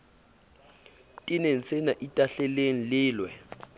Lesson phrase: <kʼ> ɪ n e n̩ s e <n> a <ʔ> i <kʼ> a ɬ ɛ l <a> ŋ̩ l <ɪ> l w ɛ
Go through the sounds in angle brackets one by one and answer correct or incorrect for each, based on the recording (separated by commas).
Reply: incorrect, correct, correct, incorrect, incorrect, incorrect